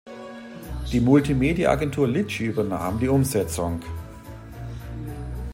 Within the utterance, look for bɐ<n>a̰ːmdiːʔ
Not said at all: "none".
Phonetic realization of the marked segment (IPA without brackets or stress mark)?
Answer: n